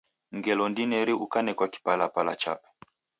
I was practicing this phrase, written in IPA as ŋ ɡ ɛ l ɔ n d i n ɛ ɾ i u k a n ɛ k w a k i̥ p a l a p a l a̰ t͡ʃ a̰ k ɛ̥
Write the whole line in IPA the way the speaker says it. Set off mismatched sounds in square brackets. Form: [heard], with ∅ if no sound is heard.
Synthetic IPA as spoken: ŋ ɡ ɛ l ɔ n d i n ɛ ɾ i u k a n ɛ k w a k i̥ p a l a p a l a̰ t͡ʃ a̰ [p] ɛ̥